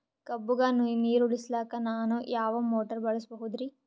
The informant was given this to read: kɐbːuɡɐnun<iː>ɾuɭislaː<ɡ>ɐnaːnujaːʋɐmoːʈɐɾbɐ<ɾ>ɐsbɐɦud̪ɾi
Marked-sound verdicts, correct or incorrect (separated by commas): correct, incorrect, incorrect